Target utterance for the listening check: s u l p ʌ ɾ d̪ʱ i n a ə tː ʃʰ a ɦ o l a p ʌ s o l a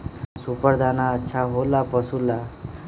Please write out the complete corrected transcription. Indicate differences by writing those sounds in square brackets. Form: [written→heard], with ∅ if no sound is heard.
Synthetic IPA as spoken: s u [l→∅] p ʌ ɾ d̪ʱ [i→a] n a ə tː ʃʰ a ɦ o l a p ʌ s [o→u] l a